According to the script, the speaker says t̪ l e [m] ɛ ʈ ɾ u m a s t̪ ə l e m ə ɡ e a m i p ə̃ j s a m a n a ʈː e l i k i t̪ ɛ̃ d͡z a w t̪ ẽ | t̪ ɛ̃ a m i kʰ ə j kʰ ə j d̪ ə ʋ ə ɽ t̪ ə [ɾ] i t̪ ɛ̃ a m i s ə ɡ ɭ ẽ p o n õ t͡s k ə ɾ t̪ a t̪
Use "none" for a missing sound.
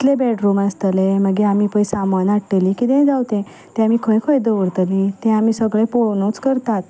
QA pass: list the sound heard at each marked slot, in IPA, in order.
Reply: b, l

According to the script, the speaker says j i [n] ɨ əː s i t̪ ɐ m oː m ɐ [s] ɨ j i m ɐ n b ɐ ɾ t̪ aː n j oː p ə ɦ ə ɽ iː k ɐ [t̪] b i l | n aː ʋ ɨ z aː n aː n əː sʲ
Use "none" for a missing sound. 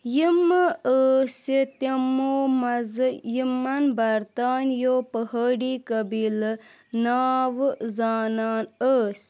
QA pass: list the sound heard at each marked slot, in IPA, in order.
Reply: m, z, none

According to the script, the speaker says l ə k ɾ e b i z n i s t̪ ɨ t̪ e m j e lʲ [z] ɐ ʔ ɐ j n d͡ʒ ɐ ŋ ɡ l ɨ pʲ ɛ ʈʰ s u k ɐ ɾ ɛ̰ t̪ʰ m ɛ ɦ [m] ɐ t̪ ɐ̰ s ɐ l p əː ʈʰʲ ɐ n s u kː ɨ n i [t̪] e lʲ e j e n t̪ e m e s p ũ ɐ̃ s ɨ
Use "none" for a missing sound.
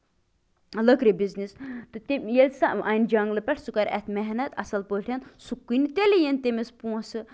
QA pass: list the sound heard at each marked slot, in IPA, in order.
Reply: s, n, t̪

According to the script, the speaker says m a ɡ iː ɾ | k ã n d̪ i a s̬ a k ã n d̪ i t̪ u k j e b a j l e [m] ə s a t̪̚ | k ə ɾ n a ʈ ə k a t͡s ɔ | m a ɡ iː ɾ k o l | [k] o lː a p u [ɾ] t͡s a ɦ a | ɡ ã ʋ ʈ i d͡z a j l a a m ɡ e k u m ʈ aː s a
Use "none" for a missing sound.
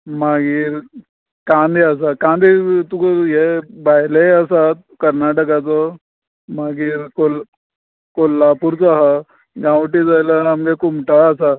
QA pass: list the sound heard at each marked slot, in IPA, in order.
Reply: none, k, ɾ

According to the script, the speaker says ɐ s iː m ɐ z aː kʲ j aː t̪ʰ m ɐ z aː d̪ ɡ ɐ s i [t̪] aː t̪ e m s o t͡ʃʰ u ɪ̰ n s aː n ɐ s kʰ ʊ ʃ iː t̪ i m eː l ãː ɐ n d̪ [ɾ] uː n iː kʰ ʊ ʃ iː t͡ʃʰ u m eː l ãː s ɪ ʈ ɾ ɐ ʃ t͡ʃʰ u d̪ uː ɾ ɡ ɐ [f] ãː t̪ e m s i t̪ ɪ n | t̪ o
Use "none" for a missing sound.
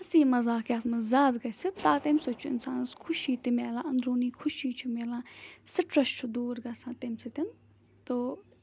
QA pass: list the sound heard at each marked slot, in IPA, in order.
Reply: t̪, ɾ, s

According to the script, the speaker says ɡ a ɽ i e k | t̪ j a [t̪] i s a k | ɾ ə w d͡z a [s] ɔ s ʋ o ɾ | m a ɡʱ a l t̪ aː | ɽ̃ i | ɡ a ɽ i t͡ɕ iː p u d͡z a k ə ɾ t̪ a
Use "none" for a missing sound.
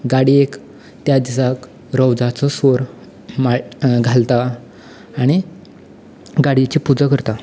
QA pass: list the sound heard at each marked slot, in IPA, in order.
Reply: d̪, t͡s

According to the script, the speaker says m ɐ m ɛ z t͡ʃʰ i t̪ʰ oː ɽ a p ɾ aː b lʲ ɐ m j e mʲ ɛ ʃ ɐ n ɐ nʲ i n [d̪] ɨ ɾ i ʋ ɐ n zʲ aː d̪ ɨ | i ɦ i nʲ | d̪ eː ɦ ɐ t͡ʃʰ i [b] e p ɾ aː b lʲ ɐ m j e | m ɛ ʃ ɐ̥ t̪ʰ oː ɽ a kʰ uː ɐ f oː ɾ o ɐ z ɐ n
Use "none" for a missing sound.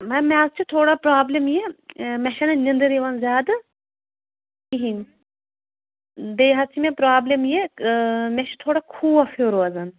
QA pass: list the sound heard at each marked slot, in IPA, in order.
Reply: d̪, m

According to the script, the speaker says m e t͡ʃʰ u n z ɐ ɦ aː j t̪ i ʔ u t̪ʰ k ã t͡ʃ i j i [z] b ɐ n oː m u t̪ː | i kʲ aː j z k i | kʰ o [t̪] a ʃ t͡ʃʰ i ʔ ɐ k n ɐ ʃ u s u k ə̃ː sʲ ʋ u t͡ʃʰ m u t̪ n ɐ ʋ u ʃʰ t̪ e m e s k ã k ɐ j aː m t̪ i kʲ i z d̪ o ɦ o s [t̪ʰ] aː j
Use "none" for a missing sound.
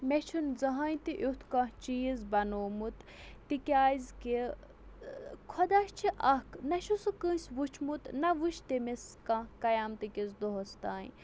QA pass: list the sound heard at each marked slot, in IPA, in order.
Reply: z, d̪, t̪

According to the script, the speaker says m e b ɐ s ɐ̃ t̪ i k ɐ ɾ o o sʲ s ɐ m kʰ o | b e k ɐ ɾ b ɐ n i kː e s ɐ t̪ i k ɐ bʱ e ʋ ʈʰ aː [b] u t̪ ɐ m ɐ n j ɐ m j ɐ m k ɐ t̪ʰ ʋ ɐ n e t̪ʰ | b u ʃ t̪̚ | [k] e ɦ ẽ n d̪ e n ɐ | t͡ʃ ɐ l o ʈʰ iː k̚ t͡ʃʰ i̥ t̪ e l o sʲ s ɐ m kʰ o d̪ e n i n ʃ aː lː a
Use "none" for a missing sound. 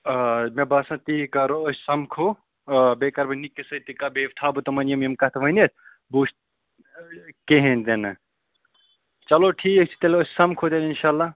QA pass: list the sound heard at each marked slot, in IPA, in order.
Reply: b, k

